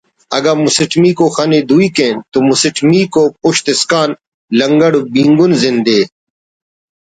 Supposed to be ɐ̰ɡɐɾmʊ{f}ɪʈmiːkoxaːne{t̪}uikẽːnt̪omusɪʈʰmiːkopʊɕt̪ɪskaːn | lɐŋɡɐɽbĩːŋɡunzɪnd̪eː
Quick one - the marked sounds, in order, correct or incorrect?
incorrect, incorrect

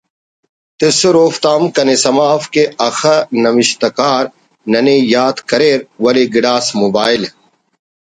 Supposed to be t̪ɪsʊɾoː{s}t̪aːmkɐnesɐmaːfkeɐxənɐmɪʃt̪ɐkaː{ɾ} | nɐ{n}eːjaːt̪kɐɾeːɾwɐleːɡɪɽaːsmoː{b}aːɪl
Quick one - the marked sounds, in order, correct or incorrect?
incorrect, correct, correct, correct

